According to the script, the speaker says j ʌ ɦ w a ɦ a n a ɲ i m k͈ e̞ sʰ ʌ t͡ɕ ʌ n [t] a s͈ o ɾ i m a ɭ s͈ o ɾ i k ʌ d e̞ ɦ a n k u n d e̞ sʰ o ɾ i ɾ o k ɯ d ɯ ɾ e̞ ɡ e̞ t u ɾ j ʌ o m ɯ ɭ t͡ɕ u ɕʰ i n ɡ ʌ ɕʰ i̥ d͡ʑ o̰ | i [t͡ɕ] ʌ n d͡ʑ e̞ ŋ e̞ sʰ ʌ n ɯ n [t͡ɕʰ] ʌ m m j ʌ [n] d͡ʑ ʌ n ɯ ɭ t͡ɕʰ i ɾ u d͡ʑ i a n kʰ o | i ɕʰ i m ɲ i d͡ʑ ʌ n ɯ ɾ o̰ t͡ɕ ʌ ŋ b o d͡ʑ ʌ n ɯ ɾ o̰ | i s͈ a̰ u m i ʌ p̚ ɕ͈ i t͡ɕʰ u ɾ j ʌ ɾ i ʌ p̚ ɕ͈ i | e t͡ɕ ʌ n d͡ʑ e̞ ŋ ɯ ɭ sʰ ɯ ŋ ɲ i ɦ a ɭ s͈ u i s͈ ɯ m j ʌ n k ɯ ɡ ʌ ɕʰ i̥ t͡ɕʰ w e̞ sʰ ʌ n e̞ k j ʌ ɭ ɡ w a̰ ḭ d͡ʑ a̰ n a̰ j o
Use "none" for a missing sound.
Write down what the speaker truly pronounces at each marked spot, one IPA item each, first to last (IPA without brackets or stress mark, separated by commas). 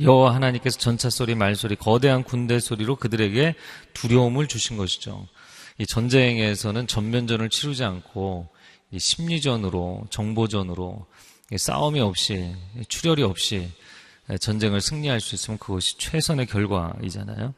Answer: t͡ɕʰ, t͡ɕ, t͡ɕ, n